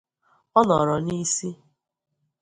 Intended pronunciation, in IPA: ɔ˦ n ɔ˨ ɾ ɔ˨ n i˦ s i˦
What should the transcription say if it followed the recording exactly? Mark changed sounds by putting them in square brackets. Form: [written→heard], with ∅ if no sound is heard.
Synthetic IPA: ɔ˦ n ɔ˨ ɾ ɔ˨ n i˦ s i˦